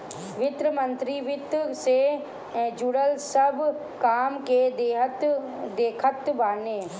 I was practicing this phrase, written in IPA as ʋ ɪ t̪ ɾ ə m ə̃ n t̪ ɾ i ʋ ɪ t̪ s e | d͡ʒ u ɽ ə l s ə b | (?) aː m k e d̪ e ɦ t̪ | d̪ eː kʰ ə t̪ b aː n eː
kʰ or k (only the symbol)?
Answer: k